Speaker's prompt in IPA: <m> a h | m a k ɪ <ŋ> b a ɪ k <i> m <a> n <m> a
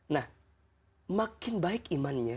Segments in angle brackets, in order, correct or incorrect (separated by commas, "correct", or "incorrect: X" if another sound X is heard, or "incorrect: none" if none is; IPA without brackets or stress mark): incorrect: n, incorrect: n, correct, correct, incorrect: ɲ